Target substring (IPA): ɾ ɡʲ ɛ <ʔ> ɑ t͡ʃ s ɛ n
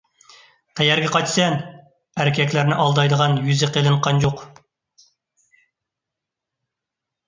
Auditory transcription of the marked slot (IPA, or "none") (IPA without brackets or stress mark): q